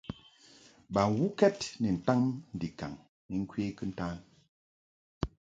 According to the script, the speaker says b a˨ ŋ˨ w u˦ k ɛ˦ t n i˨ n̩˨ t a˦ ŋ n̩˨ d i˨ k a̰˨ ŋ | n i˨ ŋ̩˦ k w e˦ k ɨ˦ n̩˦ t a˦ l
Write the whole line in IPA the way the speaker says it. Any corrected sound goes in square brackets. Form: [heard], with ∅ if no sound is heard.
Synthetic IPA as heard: b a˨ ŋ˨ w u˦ k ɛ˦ t n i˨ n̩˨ t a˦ ŋ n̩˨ d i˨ k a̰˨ ŋ | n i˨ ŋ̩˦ k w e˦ k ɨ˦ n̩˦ t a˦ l